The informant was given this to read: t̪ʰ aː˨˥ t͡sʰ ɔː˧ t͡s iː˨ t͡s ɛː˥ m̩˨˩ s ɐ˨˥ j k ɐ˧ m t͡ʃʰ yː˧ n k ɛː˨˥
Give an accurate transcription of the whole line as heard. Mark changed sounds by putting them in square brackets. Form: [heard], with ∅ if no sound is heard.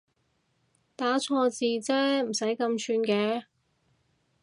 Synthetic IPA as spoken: [t̪] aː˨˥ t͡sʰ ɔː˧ t͡s iː˨ t͡s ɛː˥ m̩˨˩ s ɐ˨˥ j k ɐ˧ m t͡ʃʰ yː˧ n k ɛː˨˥